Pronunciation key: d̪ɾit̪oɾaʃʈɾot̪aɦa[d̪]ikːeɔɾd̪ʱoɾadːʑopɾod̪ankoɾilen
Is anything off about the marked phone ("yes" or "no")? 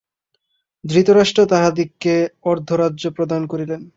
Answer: no